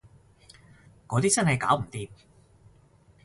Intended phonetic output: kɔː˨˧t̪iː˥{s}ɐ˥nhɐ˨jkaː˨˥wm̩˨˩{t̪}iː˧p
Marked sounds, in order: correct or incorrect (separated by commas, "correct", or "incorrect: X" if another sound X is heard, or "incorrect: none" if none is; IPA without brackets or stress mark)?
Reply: incorrect: t͡s, correct